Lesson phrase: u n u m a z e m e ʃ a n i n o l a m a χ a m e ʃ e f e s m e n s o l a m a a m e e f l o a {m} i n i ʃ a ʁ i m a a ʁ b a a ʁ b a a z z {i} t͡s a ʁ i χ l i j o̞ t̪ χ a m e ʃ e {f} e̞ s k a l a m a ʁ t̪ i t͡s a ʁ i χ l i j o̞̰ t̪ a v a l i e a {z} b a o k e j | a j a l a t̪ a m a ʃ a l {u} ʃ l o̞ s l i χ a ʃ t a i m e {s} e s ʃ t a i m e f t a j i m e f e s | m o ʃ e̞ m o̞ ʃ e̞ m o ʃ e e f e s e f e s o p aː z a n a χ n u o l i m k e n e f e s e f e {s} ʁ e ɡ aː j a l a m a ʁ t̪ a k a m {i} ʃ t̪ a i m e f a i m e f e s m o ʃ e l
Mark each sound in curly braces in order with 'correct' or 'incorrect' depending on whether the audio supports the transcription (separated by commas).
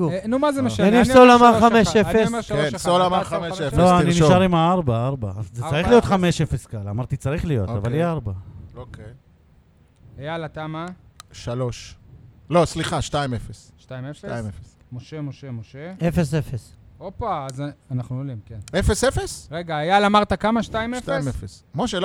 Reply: incorrect, incorrect, correct, incorrect, incorrect, incorrect, correct, incorrect